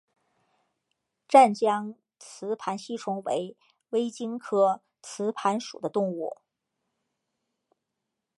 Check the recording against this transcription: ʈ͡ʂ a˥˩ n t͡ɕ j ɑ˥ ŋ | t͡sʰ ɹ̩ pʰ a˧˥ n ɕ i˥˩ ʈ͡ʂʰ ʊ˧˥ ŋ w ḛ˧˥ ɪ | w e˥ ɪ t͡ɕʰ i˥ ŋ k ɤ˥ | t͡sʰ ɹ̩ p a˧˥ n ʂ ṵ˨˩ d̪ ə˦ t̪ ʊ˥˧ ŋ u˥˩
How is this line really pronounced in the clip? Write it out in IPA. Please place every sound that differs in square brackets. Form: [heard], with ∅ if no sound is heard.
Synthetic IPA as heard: ʈ͡ʂ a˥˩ n t͡ɕ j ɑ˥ ŋ | t͡sʰ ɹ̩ pʰ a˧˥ n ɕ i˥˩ ʈ͡ʂʰ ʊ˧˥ ŋ w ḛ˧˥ ɪ | w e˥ ɪ [t͡ɕ] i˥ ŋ [kʰ] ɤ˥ | t͡sʰ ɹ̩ [pʰ] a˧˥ n ʂ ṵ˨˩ d̪ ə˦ t̪ ʊ˥˧ ŋ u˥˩